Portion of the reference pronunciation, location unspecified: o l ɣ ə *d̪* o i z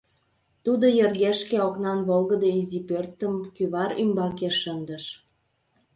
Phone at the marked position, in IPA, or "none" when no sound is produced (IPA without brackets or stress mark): d̪